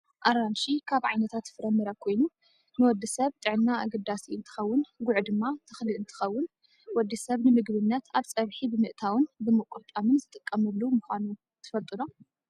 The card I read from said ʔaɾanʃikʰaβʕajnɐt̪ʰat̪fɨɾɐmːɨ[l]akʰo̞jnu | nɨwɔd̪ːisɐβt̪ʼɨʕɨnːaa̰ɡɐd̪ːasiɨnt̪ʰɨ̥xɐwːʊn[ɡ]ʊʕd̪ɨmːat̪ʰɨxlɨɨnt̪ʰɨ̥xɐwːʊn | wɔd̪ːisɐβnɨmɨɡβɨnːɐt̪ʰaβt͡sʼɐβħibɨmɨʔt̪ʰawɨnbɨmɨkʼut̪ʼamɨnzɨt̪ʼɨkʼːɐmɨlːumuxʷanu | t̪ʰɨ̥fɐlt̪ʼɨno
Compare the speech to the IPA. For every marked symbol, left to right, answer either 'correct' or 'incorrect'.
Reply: incorrect: ɾ, correct

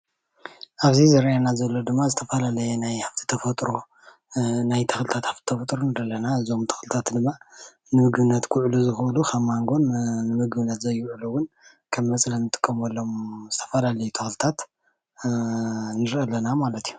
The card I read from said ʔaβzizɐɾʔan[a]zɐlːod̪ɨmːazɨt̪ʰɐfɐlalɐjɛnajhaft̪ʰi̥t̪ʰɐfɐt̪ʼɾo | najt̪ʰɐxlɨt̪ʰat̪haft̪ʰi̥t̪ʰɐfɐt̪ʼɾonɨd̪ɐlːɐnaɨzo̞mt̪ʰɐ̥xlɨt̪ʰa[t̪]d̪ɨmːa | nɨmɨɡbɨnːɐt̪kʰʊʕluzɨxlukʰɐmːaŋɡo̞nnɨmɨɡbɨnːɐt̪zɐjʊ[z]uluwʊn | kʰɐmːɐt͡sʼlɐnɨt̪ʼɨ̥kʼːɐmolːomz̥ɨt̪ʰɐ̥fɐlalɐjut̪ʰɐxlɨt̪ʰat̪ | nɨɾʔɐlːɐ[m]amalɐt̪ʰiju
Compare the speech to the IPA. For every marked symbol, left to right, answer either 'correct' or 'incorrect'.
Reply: correct, correct, incorrect: ʕ, incorrect: n

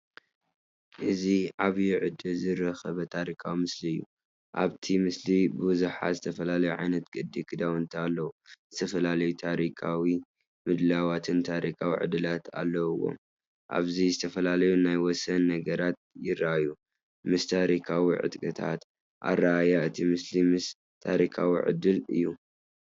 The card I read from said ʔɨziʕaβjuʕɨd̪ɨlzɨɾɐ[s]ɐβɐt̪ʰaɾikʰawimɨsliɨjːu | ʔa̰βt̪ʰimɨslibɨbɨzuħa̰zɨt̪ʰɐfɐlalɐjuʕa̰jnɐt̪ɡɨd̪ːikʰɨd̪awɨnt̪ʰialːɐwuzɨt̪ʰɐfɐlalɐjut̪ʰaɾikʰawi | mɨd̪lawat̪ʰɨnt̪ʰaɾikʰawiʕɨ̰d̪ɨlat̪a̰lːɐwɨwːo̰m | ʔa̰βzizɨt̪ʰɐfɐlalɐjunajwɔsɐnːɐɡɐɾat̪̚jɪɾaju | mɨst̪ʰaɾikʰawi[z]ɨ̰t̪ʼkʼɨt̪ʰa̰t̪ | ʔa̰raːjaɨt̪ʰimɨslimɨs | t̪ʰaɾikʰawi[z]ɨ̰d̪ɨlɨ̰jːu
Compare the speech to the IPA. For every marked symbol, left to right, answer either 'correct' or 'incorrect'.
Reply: incorrect: x, incorrect: ʕ, incorrect: ʕ

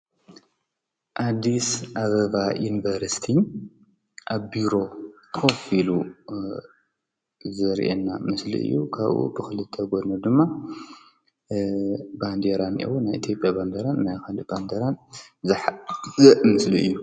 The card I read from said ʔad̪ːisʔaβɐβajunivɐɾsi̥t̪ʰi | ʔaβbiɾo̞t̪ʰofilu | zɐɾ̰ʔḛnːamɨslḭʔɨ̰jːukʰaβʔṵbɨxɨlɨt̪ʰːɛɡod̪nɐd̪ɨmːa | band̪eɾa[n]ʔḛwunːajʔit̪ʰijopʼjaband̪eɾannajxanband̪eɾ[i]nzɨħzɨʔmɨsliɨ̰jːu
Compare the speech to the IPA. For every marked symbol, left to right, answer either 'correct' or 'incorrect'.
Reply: correct, incorrect: a

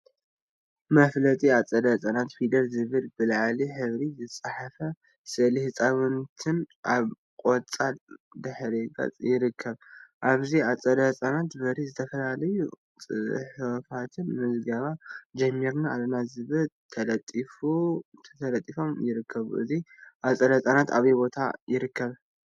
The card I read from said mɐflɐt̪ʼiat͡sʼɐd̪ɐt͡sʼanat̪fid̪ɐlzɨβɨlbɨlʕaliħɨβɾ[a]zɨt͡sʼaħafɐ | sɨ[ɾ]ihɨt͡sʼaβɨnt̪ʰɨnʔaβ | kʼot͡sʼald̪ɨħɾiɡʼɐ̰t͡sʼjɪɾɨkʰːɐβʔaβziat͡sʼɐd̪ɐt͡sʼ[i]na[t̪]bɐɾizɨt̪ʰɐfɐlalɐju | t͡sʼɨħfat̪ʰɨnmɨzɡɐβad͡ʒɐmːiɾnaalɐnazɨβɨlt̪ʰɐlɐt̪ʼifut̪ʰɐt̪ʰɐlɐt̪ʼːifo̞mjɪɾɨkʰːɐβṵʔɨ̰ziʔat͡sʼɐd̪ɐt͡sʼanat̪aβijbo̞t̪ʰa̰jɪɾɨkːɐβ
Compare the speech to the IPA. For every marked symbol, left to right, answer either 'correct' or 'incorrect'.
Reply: incorrect: i, incorrect: l, incorrect: a, correct

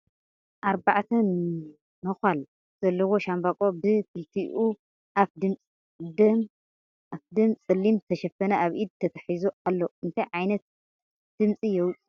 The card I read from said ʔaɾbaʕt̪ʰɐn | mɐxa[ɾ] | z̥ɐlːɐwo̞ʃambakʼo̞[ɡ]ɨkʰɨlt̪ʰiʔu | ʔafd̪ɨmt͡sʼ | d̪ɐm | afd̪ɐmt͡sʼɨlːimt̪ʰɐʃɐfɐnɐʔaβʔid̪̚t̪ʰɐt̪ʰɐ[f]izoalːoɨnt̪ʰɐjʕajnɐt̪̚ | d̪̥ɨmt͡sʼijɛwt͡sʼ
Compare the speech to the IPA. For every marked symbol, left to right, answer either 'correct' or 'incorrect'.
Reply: incorrect: l, incorrect: b, incorrect: ħ

